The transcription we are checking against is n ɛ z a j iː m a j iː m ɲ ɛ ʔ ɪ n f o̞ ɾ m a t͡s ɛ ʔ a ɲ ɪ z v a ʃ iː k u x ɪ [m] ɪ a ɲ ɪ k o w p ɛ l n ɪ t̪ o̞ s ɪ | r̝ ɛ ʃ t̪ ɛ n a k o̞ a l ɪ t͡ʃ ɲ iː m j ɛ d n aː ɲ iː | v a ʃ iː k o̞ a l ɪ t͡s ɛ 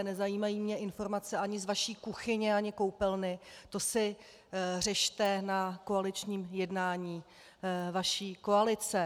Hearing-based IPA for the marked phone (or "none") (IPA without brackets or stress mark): ɲ